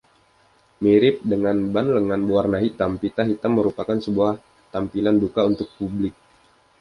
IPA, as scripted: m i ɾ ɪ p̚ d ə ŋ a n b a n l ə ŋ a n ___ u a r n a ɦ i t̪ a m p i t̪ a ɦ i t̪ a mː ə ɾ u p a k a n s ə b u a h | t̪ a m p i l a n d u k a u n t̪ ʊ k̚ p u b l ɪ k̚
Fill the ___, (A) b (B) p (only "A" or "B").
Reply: A